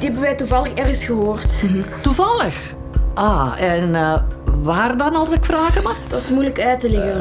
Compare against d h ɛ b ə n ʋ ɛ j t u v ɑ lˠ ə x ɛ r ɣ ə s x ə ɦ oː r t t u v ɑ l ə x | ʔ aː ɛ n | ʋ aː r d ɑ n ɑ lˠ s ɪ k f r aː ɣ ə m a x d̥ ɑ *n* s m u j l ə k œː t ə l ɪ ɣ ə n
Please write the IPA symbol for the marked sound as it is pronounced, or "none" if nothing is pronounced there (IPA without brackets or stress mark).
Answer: none